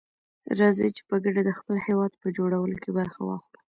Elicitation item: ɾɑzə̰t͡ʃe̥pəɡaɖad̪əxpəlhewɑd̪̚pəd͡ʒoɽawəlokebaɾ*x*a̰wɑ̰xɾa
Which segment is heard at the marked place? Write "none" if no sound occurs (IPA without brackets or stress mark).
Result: x